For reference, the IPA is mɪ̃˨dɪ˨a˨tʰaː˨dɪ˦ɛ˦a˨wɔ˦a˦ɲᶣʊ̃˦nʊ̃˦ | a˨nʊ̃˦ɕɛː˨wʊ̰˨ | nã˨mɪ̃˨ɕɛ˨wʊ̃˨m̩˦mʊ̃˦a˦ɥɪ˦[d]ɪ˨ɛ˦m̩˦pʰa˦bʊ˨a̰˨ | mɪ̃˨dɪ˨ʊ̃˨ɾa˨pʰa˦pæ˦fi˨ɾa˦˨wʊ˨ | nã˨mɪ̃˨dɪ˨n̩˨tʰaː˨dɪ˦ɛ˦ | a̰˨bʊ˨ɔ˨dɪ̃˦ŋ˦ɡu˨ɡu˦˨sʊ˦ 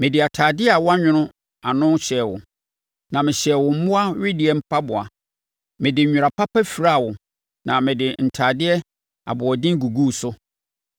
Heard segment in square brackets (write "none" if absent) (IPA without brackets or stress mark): d